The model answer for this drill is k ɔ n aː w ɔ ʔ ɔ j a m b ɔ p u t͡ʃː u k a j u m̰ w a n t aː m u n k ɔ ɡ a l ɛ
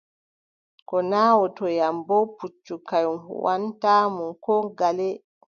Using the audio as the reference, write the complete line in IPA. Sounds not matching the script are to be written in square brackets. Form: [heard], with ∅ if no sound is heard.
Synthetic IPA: k ɔ n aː w ɔ [t] ɔ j a m b ɔ p u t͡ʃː u k a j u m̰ w a n t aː m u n k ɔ ɡ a l ɛ